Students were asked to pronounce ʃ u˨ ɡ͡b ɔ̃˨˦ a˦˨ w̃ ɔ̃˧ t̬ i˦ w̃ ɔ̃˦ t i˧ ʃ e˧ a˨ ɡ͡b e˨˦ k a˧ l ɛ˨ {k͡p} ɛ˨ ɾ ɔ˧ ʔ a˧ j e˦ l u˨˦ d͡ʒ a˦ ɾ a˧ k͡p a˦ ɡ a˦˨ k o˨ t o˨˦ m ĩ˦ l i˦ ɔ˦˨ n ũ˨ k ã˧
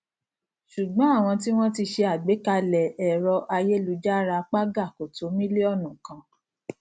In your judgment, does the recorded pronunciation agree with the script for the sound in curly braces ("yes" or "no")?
no